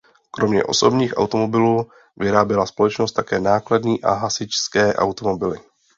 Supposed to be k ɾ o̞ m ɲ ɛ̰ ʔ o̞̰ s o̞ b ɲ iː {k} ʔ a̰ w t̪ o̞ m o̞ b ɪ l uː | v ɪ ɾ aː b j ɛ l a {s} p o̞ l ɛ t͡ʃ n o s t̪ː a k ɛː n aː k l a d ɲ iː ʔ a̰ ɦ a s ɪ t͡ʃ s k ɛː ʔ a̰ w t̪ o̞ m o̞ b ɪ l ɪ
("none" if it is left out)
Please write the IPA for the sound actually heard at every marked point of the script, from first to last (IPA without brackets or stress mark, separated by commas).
x, s